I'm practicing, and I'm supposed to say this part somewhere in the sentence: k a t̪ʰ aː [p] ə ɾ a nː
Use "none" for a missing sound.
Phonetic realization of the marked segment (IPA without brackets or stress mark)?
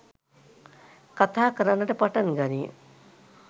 k